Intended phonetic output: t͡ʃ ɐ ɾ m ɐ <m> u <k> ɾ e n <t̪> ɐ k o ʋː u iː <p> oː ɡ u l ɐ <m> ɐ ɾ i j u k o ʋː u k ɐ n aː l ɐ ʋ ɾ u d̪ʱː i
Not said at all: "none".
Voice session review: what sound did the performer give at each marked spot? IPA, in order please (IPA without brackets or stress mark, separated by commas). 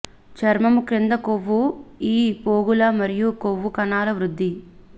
m, k, d̪, p, m